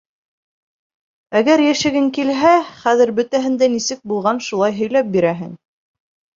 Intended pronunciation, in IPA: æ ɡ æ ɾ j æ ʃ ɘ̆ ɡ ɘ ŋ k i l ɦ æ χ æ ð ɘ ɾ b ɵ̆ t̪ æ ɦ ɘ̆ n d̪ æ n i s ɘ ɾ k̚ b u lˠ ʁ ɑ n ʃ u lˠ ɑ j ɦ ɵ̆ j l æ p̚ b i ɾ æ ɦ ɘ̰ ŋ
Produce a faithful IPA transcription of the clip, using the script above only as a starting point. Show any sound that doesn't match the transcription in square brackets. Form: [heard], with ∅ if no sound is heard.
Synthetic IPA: æ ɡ æ ɾ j æ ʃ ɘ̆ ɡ ɘ ŋ k i l ɦ æ χ æ ð ɘ ɾ b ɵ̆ t̪ æ ɦ ɘ̆ n d̪ æ n i s ɘ [∅] k̚ b u lˠ ʁ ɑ n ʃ u lˠ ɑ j ɦ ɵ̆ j l æ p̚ b i ɾ æ ɦ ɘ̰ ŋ